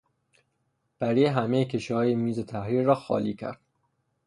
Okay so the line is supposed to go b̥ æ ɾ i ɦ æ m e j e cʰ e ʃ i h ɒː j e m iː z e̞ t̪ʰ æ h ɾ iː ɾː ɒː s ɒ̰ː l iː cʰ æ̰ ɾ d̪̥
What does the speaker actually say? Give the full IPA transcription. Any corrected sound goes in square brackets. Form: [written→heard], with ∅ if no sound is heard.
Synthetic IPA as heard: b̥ æ ɾ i ɦ æ m e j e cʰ e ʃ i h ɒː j e m iː z e̞ t̪ʰ æ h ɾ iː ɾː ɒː [s→x] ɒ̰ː l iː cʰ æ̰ ɾ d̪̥